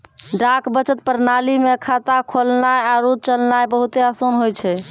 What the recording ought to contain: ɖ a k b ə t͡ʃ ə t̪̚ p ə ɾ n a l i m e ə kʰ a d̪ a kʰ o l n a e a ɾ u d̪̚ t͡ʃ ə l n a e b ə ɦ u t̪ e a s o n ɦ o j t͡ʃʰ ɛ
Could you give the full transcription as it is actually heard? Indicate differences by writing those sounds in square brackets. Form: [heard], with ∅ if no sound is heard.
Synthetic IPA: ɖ a k b ə t͡ʃ ə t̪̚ p ə ɾ n a l i m e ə kʰ a [t̪] a kʰ o l n a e a ɾ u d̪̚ t͡ʃ ə l n a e b ə ɦ u t̪ e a s o n ɦ o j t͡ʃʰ ɛ